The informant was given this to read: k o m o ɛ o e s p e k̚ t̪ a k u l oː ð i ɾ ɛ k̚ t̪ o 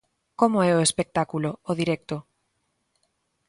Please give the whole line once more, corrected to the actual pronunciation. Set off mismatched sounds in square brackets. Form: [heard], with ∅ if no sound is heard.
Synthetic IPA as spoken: k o m o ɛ o e s p e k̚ t̪ a k u l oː ð i ɾ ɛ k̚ t̪ o